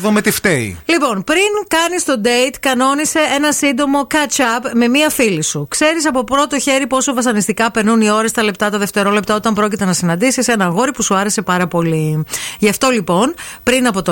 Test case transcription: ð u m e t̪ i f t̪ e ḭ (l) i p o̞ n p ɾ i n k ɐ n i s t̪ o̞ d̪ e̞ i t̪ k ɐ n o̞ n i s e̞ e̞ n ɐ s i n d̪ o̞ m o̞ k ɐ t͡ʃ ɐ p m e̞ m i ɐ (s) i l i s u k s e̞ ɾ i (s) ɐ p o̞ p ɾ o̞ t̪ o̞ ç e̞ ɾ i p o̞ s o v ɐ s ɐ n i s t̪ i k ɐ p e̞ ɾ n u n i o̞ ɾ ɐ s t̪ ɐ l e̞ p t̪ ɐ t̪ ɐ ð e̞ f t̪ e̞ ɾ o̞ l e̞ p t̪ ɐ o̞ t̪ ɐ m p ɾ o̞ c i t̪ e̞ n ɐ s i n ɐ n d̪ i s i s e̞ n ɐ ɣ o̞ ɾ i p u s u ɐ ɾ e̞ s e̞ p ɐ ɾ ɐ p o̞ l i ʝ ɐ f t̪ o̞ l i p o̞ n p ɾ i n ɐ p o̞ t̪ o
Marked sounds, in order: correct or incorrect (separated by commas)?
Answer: correct, incorrect, correct